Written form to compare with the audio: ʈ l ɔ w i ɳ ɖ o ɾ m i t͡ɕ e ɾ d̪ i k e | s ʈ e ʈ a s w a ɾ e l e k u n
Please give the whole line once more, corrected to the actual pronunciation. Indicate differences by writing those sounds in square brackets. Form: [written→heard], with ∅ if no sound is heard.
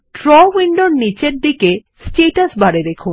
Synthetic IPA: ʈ [l→ɾ] ɔ w i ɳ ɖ o ɾ [m→n] i t͡ɕ e ɾ d̪ i k e | s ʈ e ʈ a s [w→b] a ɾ e [l→ɾ] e [k→kʰ] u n